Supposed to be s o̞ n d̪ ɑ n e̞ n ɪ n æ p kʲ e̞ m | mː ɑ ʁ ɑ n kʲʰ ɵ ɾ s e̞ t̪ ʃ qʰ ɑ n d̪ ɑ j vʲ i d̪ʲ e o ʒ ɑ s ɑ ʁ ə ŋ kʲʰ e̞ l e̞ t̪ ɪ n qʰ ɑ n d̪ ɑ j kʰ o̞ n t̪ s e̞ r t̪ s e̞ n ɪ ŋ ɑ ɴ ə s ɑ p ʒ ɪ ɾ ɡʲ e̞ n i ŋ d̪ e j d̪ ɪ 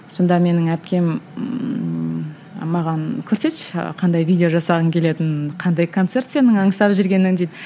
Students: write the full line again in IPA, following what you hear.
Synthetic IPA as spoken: s o̞ n d̪ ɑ m e̞ n ɪ ŋ æ p kʲ e̞ m | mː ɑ ʁ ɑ n kʲʰ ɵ ɾ s e̞ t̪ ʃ qʰ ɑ n d̪ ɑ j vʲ i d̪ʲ e o ʒ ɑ s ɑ ʁ ə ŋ kʲʰ e̞ l e̞ t̪ ɪ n qʰ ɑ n d̪ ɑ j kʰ o̞ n t̪ s e̞ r t̪ s e̞ n ɪ ŋ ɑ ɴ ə s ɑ p ʒ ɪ ɾ ɡʲ e̞ n ɪ ŋ d̪ e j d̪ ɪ